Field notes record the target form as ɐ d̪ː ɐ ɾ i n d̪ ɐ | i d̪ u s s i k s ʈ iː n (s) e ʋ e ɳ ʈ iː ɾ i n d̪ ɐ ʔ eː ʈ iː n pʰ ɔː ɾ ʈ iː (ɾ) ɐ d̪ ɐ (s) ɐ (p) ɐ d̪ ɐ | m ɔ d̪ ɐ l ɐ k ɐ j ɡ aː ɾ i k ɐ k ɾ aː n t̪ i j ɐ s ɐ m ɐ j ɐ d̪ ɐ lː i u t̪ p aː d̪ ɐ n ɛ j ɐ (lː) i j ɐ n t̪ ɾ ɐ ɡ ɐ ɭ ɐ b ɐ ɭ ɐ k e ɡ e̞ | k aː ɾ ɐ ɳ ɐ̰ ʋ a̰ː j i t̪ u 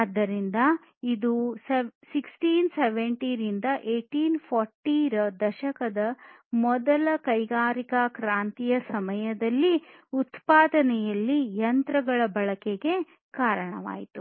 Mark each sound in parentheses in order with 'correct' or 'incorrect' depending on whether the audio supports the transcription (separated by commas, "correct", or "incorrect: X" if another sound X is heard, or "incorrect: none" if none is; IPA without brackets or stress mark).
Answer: correct, correct, incorrect: ʃ, incorrect: k, correct